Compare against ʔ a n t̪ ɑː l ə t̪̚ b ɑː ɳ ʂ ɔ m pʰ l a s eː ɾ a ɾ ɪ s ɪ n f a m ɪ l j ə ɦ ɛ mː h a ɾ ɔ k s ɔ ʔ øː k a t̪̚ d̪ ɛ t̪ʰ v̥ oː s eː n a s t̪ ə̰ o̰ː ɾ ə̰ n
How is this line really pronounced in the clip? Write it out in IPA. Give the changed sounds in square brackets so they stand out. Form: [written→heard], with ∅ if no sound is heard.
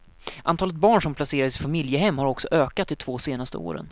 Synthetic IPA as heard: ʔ a n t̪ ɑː l ə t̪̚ b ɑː ɳ ʂ ɔ m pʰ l a s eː ɾ a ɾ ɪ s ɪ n f a m ɪ l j ə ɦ ɛ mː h a ɾ ɔ k s ɔ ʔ øː k a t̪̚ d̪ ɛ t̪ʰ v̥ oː s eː n a s t̪ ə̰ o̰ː ɾ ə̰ n